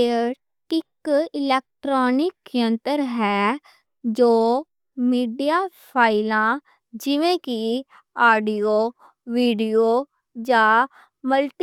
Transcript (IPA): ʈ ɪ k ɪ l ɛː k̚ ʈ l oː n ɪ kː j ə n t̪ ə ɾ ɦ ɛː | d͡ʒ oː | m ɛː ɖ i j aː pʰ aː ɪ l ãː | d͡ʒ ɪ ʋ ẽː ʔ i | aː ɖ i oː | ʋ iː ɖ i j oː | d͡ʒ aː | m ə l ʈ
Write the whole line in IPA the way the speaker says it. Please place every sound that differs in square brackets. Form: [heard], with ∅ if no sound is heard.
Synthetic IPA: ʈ ɪ k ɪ l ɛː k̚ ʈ [ɾ] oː n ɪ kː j ə n t̪ ə ɾ ɦ ɛː | d͡ʒ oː | m [iː] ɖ i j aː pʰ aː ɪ l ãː | d͡ʒ ɪ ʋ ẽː [k] i | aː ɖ i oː | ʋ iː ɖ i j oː | d͡ʒ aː | m ə l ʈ

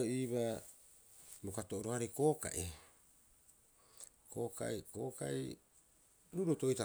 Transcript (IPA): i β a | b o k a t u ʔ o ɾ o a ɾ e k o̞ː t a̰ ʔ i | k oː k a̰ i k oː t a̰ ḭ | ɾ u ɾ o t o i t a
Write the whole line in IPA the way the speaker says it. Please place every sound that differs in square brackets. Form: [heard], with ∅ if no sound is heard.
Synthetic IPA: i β a | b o k a t [o] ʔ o ɾ o a ɾ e k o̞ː [k] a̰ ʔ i | k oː k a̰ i k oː [k] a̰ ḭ | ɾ u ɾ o t o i t a

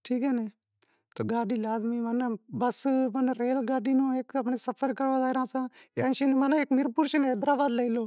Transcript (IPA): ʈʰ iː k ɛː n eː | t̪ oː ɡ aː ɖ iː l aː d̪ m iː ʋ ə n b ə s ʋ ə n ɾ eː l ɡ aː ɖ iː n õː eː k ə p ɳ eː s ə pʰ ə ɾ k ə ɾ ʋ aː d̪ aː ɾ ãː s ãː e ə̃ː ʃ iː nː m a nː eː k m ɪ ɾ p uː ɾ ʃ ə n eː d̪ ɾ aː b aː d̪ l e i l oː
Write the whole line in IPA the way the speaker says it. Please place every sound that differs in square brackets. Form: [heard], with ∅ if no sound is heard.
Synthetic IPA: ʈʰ iː k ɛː n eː | t̪ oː ɡ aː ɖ iː l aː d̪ m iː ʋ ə n b ə s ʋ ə n ɾ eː l ɡ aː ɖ iː n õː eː k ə p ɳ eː s ə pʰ ə ɾ k ə ɾ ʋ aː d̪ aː ɾ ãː s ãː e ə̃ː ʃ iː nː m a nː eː k m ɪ ɾ p uː ɾ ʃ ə n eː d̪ ɾ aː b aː d̪ l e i l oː

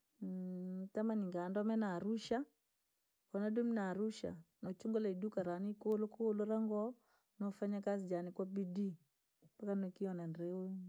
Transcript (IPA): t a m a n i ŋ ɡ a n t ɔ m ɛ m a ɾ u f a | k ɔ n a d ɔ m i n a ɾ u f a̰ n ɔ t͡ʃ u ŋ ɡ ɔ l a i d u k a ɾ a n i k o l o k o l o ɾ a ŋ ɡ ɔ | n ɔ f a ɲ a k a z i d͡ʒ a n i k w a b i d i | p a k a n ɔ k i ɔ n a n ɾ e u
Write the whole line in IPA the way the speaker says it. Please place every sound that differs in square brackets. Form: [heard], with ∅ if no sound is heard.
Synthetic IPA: t a m a n i ŋ ɡ a n [d] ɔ m ɛ [n] a ɾ u [ʃ] a | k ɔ n a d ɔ m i n a ɾ u [ʃ] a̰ n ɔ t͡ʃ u ŋ ɡ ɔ l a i d u k a ɾ a n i k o l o k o l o ɾ a ŋ ɡ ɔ | n ɔ f a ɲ a k a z i d͡ʒ a n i k w a b i d i | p a k a n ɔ k i ɔ n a n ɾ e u

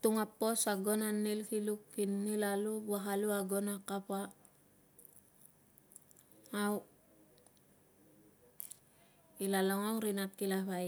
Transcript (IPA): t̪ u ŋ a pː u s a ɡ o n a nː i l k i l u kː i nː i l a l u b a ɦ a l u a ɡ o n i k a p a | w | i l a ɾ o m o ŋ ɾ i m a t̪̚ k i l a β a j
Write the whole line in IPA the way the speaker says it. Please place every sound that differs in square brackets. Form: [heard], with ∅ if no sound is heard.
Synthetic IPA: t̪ u ŋ a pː [o] s a ɡ o n a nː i l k i l u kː i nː i l a l u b a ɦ a l u a ɡ o n [a] k a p a | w | i l a [l] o [ŋ] o ŋ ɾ i [n] a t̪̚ k i l a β a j

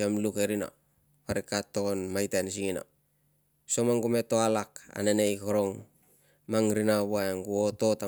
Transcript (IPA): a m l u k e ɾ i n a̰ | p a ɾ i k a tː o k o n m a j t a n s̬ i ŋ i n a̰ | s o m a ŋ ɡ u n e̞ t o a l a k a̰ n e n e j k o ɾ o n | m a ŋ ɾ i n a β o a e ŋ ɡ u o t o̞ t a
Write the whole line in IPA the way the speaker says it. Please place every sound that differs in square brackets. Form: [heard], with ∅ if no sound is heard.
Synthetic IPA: a m l u k e ɾ i n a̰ | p a ɾ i k a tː o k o n m a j t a n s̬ i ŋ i n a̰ | s o m a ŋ ɡ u [m] e̞ t o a l a k a̰ n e n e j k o ɾ o [ŋ] | m a ŋ ɾ i n a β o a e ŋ ɡ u o t o̞ t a

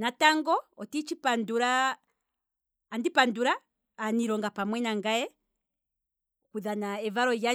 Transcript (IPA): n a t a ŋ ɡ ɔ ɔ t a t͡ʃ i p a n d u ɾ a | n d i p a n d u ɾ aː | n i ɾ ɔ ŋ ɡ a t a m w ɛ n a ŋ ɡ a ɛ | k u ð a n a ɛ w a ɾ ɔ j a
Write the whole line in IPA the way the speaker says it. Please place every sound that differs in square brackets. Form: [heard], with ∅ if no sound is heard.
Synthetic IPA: n a t a ŋ ɡ ɔ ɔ t [i] t͡ʃ i p a n d u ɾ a | n d i p a n d u ɾ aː | n i ɾ ɔ ŋ ɡ a [p] a m w ɛ n a ŋ ɡ a ɛ | k u ð a n a ɛ [v] a ɾ ɔ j a

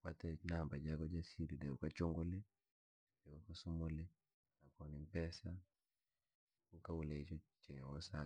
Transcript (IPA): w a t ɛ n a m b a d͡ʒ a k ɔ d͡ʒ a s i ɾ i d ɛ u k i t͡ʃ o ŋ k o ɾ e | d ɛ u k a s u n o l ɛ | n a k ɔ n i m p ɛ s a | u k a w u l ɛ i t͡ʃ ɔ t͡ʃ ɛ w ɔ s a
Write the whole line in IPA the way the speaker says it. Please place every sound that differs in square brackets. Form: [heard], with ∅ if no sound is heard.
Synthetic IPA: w a t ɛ n a m b a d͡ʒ a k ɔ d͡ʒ a s i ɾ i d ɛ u k [a] t͡ʃ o ŋ [ɡ] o [l] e | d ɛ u k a s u [m] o l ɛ | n a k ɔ n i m p ɛ s a | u k a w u l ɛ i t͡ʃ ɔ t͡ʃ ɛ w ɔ s a

